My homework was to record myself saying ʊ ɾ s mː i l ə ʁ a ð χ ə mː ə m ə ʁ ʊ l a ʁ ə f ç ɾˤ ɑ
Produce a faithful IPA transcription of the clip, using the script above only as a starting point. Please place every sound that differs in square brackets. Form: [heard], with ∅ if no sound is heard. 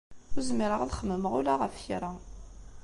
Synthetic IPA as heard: ʊ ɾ [z] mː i [ɾ] ə ʁ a ð χ ə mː ə m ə ʁ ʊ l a ʁ ə f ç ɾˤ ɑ

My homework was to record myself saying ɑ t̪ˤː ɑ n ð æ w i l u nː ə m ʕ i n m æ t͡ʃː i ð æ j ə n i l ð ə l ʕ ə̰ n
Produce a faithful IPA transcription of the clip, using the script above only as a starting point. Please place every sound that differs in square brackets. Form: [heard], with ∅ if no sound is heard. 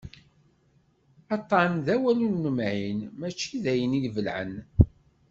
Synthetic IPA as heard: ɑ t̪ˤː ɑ n ð æ w [æ] l u nː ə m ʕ i n m æ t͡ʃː i ð æ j ə n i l [v] ə l ʕ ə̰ n

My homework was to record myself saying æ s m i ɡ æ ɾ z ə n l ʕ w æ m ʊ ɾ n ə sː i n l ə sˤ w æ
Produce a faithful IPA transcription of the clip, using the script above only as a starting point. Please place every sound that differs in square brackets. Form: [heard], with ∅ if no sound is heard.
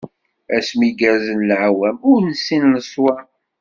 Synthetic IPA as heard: æ s m i ɡ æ ɾ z ə n l ʕ w æ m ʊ ɾ n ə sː i n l ə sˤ w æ

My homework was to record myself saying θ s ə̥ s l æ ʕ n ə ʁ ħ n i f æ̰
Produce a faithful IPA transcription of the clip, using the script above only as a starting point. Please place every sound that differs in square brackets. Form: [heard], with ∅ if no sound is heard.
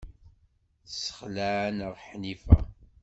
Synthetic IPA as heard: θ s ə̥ [χ] l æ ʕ n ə ʁ ħ n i f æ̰

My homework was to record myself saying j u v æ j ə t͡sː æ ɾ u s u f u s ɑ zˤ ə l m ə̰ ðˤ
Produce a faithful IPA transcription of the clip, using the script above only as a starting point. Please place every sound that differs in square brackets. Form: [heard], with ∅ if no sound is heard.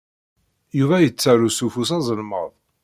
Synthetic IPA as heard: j u v æ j ə t͡sː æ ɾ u s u f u s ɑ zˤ ə l m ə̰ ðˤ

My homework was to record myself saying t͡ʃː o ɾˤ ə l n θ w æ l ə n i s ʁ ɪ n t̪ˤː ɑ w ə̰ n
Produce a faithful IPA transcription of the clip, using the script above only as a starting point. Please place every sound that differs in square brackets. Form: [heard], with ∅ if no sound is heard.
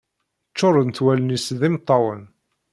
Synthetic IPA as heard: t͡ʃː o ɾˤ ə [∅] n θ w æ l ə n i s [ð] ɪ [m] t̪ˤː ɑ w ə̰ n

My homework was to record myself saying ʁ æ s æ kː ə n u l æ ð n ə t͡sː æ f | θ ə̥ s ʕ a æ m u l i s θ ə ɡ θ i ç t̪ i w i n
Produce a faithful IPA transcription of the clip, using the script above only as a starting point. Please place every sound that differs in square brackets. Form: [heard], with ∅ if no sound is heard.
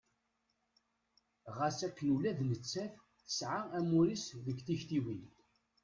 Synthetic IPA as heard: ʁ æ s æ kː ə n u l æ ð n ə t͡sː æ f | θ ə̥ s ʕ a æ m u [ɾ] i s [ð] ə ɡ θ i ç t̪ i w i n

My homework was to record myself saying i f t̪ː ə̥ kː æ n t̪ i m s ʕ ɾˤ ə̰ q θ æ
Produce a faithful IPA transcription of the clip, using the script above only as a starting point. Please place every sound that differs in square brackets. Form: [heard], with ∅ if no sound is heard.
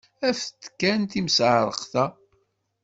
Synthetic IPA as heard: [æ] f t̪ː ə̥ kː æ n t̪ i m s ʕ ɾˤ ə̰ q θ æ

